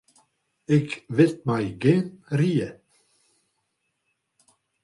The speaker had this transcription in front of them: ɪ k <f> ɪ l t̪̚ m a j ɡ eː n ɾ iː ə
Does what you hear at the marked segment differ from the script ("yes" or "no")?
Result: yes